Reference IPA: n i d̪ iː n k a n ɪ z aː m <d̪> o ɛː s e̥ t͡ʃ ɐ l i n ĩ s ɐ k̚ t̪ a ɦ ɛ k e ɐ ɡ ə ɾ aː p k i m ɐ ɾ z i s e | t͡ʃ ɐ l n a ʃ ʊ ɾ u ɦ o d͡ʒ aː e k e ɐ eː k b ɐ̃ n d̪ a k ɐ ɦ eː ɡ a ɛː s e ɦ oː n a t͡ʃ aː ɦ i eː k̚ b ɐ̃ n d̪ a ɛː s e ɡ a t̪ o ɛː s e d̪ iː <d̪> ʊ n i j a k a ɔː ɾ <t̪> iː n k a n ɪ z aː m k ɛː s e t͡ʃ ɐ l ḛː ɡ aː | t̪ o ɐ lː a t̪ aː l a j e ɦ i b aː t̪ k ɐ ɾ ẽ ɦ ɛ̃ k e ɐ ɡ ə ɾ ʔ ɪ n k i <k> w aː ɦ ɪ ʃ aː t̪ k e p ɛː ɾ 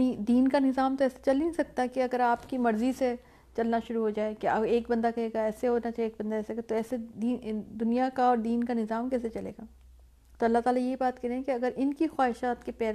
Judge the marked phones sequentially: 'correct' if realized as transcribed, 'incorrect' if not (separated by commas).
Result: incorrect, correct, incorrect, incorrect